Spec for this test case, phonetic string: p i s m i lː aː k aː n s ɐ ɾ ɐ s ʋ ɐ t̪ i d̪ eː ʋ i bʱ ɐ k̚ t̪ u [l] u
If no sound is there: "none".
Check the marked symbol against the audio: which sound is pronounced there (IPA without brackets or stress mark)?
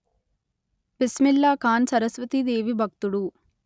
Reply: ɽ